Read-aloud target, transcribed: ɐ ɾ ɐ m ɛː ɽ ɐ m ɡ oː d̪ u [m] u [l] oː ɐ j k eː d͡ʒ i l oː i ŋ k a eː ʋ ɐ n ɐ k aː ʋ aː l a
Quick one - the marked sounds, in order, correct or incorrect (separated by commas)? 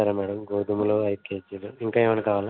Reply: correct, correct